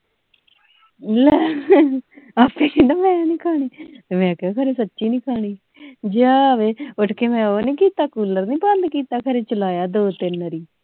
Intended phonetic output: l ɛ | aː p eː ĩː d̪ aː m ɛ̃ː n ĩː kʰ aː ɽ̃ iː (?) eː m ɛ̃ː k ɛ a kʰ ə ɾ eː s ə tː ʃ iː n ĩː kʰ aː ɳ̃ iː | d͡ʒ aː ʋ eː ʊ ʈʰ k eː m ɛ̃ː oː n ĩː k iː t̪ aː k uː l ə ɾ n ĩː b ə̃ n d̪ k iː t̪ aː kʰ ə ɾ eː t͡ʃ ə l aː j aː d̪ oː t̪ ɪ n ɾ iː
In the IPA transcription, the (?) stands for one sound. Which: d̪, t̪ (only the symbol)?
t̪